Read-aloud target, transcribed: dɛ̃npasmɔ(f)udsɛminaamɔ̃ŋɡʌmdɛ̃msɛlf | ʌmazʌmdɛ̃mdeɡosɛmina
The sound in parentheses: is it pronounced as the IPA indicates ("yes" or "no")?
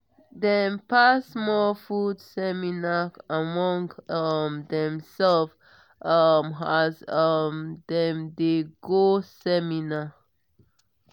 yes